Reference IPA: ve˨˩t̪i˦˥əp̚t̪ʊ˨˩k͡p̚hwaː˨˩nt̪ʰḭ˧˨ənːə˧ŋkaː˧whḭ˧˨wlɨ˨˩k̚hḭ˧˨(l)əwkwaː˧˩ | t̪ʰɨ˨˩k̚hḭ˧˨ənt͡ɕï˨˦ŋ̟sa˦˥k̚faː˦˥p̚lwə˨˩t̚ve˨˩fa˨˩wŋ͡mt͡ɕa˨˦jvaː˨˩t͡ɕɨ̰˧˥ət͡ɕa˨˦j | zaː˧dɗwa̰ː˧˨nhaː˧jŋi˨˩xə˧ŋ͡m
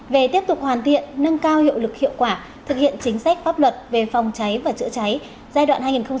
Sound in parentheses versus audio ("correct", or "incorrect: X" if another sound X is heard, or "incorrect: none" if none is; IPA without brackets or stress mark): incorrect: none